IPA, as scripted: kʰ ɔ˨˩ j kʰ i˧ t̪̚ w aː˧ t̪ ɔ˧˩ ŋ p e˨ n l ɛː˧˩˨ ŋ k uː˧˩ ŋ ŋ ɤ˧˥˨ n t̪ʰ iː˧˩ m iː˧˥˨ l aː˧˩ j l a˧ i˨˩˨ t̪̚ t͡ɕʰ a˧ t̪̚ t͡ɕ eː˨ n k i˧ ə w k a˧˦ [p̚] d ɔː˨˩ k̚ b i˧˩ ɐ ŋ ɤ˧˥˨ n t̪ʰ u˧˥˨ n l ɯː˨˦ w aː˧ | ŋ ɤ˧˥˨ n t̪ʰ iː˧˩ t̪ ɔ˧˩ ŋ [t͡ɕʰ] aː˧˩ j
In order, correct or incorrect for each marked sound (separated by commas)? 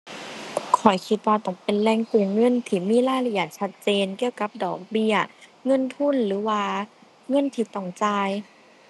correct, incorrect